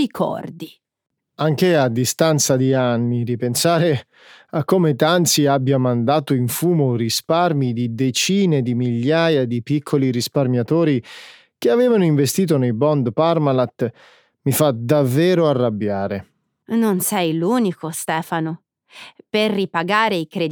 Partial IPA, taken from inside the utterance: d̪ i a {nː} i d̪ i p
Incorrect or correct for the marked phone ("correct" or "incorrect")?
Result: correct